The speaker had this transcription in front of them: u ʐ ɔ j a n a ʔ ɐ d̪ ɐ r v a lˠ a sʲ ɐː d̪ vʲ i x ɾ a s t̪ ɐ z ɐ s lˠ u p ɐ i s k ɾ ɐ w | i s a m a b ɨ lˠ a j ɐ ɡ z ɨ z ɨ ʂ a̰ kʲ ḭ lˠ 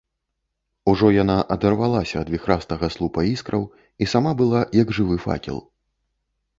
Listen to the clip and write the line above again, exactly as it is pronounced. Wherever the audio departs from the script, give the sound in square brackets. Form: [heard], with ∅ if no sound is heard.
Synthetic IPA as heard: u ʐ ɔ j a n a ʔ ɐ d̪ ɐ r v a lˠ a sʲ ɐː d̪ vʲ i x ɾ a s t̪ ɐ [ɣ] ɐ s lˠ u p ɐ i s k ɾ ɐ w | i s a m a b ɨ lˠ a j ɐ ɡ [ʐ] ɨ [v] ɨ [f] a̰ kʲ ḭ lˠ